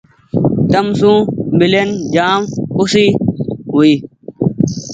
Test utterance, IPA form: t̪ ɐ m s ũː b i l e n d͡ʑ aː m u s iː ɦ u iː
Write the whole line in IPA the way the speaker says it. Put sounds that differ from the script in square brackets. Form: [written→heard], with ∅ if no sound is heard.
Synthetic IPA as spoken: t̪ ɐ m s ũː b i l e n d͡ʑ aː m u s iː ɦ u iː